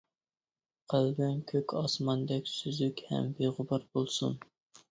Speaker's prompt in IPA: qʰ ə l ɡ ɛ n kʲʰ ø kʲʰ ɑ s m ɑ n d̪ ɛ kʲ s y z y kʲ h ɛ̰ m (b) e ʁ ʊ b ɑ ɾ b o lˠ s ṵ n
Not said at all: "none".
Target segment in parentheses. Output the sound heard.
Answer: b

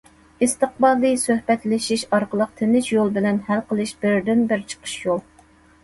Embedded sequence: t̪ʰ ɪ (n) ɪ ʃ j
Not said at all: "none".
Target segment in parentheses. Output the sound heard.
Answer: n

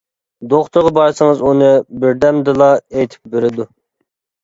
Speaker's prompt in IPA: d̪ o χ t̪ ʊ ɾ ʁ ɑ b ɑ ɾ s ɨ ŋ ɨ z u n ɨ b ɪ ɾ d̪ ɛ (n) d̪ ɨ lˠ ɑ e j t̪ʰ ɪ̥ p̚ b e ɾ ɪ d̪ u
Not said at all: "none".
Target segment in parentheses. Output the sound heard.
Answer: m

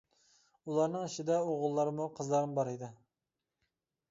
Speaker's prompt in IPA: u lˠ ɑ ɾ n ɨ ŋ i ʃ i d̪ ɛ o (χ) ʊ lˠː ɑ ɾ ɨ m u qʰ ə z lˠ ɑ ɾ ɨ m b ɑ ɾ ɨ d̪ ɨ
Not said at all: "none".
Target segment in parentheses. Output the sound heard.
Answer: ʁ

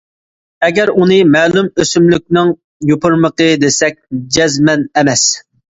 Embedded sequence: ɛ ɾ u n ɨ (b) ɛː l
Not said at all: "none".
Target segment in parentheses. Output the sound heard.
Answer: m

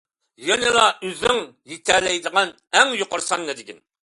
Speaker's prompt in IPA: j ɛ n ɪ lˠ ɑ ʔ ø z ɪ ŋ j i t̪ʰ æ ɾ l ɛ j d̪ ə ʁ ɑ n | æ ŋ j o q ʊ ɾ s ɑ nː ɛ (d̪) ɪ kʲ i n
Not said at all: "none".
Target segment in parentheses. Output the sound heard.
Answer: d̪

